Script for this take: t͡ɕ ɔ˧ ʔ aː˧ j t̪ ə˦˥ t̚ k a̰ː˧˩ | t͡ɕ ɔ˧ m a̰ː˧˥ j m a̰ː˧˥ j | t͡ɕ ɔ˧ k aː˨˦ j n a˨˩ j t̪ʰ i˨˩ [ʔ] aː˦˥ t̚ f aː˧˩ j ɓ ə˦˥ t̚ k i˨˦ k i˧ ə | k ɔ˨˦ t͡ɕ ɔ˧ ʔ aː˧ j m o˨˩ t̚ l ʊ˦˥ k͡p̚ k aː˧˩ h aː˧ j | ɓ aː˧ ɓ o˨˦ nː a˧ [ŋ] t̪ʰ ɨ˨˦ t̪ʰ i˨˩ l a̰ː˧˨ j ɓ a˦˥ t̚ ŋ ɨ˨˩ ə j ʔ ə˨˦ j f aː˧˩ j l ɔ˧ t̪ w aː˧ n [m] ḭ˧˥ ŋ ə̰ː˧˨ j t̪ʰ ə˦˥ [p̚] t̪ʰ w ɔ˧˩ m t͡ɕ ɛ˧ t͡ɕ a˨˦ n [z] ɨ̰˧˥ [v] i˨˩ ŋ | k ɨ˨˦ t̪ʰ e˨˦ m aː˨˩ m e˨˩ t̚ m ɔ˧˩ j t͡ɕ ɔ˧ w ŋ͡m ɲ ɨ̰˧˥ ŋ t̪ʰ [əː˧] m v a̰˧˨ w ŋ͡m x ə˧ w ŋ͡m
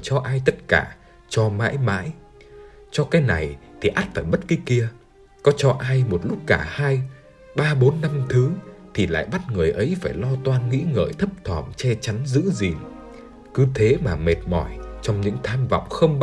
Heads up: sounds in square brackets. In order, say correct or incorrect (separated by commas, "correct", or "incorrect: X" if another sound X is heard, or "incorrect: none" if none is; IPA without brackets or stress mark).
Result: correct, incorrect: m, incorrect: ŋ, correct, correct, incorrect: z, incorrect: aː˧